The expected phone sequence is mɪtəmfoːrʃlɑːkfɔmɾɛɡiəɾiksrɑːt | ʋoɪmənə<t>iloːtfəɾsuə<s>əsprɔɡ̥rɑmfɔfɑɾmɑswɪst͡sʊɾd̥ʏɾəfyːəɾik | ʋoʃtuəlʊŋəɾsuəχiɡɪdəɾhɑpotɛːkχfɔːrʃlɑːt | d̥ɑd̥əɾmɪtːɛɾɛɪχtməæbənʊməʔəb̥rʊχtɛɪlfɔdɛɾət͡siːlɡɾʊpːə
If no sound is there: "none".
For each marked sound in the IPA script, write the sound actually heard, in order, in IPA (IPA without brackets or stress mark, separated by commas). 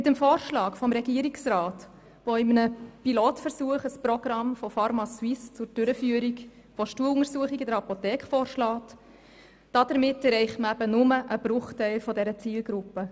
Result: p, χ